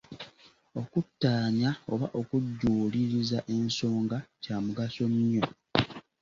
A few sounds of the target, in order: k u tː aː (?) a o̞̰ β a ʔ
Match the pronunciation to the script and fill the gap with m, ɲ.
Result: ɲ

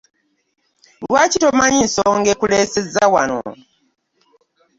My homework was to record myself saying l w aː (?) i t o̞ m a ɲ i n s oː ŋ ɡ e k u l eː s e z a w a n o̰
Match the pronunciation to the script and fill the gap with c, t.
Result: c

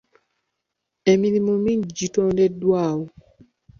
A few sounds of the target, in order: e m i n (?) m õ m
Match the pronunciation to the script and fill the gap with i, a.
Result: i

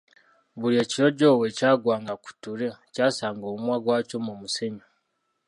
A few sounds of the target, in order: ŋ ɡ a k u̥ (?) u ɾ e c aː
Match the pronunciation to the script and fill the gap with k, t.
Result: t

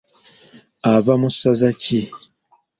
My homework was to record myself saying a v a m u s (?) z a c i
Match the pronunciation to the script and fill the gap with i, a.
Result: a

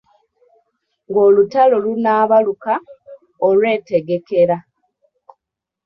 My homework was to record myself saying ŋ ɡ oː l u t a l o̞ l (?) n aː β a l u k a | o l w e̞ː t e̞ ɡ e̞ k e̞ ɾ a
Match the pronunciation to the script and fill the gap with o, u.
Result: u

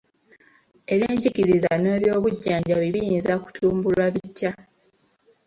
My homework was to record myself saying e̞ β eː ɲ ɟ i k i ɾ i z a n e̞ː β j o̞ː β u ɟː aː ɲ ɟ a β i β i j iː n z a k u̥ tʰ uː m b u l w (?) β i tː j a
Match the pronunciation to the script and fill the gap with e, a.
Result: a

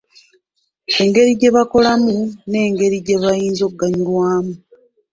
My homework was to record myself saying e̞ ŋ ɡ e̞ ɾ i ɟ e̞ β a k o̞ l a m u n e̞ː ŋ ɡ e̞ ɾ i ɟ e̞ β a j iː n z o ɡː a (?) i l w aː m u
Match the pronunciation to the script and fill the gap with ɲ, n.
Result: ɲ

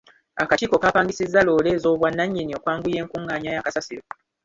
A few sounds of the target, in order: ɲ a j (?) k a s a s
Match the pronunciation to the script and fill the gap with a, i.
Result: a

